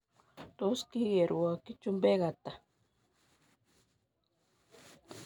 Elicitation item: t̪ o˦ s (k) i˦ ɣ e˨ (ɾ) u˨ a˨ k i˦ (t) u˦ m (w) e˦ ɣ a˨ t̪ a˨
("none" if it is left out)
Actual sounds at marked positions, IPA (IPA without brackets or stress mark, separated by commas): k, ɾ, t͡ʃ, b